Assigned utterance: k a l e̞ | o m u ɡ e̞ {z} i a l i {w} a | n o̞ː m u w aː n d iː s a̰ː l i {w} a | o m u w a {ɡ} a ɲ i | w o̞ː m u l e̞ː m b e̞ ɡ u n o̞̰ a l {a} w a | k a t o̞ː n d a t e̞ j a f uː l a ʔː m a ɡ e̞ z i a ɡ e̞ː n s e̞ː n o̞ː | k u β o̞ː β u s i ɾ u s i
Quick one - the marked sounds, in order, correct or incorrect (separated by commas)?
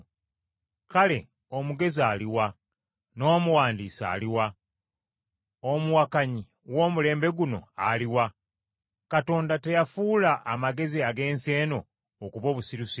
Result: correct, correct, correct, incorrect, incorrect